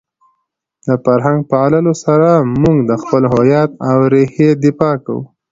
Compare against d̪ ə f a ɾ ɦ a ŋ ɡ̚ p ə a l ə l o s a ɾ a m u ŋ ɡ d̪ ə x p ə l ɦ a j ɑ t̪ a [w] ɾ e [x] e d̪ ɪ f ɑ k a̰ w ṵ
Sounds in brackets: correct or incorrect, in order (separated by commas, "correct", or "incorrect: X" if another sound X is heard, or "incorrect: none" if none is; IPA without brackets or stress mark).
correct, incorrect: h